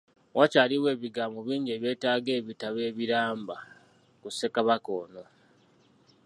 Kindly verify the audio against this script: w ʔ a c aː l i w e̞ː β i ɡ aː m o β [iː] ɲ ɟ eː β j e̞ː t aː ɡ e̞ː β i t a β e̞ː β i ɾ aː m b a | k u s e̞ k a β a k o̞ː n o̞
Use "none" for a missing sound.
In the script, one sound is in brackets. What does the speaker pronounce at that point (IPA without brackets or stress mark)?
iː